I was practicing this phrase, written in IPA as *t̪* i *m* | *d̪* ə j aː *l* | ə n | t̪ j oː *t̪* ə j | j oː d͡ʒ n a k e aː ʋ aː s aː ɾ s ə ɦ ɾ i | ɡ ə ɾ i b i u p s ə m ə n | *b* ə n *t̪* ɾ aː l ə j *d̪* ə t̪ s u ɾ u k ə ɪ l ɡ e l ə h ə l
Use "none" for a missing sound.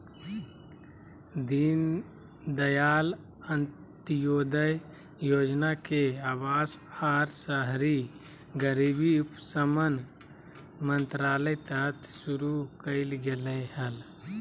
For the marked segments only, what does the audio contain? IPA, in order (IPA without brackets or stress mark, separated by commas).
d̪, n, d̪, l, d̪, m, t̪, t̪